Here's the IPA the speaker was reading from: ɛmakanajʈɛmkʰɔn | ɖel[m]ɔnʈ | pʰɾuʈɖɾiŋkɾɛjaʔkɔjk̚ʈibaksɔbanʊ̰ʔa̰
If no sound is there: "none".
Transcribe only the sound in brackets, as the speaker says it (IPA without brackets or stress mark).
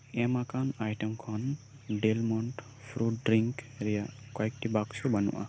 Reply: m